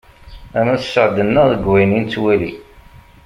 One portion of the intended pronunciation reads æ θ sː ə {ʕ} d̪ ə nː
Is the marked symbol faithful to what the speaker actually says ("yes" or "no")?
yes